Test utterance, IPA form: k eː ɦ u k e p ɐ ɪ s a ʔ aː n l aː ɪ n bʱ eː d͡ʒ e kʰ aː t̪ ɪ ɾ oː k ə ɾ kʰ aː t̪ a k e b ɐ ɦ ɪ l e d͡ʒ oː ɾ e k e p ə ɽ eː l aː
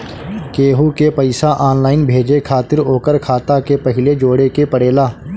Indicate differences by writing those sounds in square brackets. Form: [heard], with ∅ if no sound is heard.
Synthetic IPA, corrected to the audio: k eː ɦ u k e p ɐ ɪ s a ʔ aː n l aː ɪ n bʱ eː d͡ʒ e kʰ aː t̪ ɪ ɾ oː k ə ɾ kʰ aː t̪ a k e [p] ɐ ɦ ɪ l e d͡ʒ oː [ɽ] e k e p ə ɽ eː l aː